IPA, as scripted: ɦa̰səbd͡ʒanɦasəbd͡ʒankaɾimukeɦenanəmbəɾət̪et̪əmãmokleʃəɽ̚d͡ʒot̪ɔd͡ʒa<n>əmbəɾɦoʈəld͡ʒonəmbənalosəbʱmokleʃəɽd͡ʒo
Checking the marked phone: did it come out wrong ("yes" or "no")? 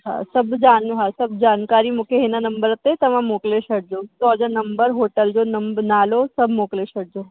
no